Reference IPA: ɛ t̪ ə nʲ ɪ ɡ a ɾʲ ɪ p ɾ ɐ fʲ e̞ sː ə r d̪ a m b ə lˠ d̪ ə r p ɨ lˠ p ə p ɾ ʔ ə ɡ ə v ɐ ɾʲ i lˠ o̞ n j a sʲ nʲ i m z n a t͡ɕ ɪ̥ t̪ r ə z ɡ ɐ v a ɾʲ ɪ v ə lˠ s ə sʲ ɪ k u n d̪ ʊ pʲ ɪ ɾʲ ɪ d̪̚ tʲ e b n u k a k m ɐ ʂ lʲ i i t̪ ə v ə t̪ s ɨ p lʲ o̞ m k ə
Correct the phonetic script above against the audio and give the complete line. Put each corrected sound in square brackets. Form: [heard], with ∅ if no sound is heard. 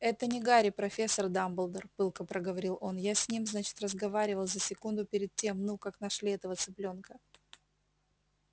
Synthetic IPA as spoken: ɛ t̪ ə nʲ ɪ ɡ a ɾʲ ɪ p ɾ ɐ fʲ e̞ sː ə r d̪ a m b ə lˠ d̪ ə r p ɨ lˠ [k] ə p ɾ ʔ ə ɡ ə v ɐ ɾʲ i lˠ o̞ n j a sʲ nʲ i m z n a t͡ɕ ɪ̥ t̪ r ə z ɡ ɐ v a ɾʲ ɪ v ə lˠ [z] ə sʲ ɪ k u n d̪ ʊ pʲ ɪ ɾʲ ɪ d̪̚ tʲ e [m] n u k a k [n] ɐ ʂ lʲ i [ɛ] t̪ ə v ə t̪ s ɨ p lʲ o̞ [n] k ə